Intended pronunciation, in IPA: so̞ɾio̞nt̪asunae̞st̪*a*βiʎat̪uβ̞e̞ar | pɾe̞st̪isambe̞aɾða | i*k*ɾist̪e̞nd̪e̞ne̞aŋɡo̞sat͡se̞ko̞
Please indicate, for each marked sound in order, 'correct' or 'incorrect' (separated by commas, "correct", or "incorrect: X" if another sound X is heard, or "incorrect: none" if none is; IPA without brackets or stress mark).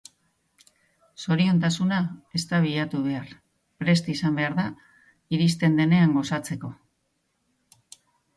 correct, incorrect: none